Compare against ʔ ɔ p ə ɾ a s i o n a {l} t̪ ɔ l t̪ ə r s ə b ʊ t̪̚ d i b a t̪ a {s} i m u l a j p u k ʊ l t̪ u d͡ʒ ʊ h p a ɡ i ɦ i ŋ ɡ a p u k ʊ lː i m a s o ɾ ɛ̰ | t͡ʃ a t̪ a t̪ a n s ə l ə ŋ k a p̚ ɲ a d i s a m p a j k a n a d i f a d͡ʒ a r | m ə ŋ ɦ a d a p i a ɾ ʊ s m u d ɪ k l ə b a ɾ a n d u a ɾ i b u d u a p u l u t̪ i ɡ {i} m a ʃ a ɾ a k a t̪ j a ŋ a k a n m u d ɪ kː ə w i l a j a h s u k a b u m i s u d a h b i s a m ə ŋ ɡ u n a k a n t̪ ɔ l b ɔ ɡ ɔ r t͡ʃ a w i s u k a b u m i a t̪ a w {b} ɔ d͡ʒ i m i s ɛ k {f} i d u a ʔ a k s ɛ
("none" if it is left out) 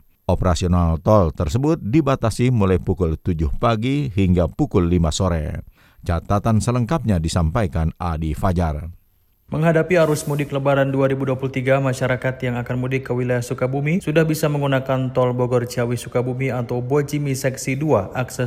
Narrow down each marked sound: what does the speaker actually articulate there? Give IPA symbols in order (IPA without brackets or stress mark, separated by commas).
l, s, a, b, s